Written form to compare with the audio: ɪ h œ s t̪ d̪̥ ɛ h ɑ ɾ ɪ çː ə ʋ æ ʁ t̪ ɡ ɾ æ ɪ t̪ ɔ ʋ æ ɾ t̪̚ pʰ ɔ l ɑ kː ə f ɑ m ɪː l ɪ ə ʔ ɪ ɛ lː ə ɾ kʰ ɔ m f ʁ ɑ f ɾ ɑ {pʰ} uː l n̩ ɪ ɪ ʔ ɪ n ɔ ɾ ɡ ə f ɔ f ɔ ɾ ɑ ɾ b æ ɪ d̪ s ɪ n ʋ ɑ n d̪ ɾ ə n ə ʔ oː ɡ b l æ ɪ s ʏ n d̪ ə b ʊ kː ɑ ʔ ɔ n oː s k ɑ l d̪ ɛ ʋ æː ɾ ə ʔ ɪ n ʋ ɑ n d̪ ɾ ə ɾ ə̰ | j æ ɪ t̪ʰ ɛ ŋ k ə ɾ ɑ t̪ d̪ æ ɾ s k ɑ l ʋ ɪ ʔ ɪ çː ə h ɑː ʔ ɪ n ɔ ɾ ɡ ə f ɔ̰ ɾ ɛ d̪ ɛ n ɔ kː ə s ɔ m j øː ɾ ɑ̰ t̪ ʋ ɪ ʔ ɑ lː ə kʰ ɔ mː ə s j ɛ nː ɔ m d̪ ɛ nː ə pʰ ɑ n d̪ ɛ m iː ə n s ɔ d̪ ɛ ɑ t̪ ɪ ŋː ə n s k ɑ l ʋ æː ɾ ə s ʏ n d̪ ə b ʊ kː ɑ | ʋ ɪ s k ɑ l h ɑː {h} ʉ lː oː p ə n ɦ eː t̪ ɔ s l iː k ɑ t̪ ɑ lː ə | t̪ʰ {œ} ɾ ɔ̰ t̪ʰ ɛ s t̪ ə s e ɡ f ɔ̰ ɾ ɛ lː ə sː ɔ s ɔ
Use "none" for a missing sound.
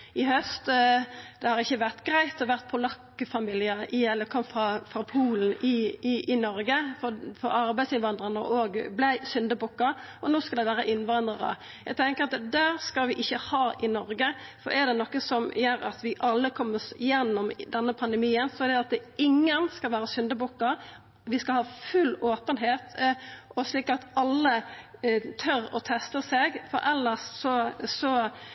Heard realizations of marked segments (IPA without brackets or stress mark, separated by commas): pʰ, f, œ